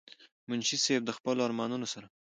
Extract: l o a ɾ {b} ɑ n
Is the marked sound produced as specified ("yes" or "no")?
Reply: no